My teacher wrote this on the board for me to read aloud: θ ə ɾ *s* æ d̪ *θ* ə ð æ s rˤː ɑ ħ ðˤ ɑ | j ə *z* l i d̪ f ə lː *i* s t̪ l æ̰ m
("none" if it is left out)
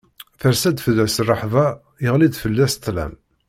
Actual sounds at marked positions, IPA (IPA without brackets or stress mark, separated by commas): s, f, ʁ, æ